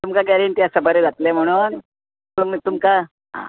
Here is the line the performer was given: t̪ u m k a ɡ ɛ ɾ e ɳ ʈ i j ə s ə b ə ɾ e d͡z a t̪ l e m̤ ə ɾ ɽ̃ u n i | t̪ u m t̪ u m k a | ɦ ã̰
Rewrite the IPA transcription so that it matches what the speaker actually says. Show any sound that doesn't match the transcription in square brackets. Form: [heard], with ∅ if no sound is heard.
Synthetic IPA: t̪ u m k a ɡ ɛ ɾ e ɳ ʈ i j [a] s ə b ə ɾ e d͡z a t̪ l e m̤ ə [∅] ɽ̃ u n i | t̪ u m t̪ u m k a | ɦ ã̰